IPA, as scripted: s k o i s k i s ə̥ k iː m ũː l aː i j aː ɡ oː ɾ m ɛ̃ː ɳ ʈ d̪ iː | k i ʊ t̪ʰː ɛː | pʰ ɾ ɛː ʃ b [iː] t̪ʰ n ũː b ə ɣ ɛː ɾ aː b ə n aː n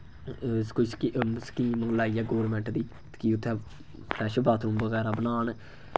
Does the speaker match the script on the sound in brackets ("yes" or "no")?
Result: no